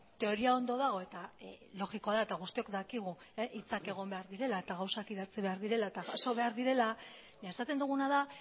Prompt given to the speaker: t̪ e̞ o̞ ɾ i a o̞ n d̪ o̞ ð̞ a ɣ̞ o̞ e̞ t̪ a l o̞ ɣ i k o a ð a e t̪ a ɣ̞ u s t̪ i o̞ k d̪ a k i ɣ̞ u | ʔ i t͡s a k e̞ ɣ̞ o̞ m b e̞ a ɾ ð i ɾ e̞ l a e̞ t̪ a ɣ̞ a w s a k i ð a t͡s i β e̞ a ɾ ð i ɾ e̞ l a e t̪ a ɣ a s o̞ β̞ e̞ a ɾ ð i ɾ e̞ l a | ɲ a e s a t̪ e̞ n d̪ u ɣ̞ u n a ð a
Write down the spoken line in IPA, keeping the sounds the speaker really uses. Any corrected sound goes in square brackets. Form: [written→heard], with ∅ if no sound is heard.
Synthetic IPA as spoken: t̪ e̞ o̞ ɾ i a o̞ n d̪ o̞ ð̞ a ɣ̞ o̞ e̞ t̪ a l o̞ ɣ i k o a ð a e t̪ a ɣ̞ u s t̪ i o̞ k d̪ a k i ɣ̞ u | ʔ i t͡s a k e̞ ɣ̞ o̞ m b e̞ a ɾ ð i ɾ e̞ l a e̞ t̪ a ɣ̞ a w s a k i ð a t͡s i β e̞ a ɾ ð i ɾ e̞ l a e t̪ a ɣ a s o̞ β̞ e̞ a ɾ ð i ɾ e̞ l a | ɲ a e s a t̪ e̞ n d̪ u ɣ̞ u n a ð a